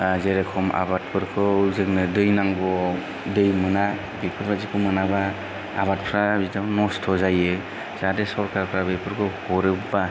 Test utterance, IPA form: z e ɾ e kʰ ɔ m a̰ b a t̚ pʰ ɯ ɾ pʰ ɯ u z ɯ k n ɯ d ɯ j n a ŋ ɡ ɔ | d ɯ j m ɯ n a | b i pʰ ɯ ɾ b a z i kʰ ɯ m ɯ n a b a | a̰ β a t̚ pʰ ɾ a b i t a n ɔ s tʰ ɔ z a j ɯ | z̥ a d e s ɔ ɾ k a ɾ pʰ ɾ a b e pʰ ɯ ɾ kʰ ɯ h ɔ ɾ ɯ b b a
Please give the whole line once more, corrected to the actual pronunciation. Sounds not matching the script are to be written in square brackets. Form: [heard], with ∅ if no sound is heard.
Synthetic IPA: z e ɾ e kʰ ɔ m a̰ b a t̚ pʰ ɯ ɾ [kʰ] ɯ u z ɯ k n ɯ d ɯ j n a ŋ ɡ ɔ | d ɯ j m ɯ n a | b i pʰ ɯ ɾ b a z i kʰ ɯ m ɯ n a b a | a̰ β a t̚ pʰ ɾ a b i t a n ɔ s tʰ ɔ z a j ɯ | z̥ a d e s ɔ ɾ k a ɾ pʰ ɾ a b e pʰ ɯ ɾ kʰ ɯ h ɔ ɾ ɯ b b a